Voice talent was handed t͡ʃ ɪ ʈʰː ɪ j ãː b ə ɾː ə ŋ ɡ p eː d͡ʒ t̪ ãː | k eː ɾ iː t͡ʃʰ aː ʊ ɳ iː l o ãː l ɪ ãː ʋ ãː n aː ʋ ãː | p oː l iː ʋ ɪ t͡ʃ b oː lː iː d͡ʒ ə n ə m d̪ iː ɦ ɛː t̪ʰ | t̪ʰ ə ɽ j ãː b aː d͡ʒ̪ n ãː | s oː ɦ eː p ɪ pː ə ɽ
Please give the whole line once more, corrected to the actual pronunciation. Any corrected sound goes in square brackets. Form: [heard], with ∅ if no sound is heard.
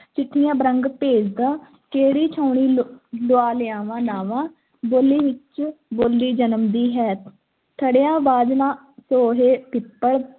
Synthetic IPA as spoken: t͡ʃ ɪ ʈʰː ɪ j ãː b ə [ɾ] ə ŋ ɡ p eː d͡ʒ [d̪] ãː | k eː ɾ iː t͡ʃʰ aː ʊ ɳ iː l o [aː] l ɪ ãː ʋ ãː n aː ʋ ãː | [b] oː l iː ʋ ɪ t͡ʃ b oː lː iː d͡ʒ ə n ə m d̪ iː ɦ ɛː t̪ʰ | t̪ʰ ə ɽ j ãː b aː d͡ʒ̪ n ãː | s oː ɦ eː p ɪ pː ə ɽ